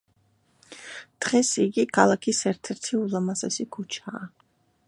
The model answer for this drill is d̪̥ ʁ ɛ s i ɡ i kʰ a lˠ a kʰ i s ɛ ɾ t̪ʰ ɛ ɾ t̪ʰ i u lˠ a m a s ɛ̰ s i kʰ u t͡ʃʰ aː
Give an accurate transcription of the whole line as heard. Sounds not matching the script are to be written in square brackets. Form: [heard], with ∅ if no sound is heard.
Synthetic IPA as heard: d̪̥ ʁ ɛ s i ɡ i kʰ a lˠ a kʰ i s ɛ ɾ t̪ʰ ɛ ɾ t̪ʰ i u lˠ a m a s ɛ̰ s i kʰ u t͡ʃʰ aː